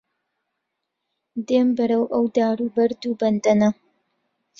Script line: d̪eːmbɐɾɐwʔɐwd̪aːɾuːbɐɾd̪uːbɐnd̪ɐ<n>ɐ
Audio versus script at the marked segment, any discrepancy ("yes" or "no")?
no